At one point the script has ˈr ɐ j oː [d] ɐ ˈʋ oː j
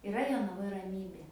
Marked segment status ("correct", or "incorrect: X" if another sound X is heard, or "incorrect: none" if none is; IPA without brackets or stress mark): incorrect: n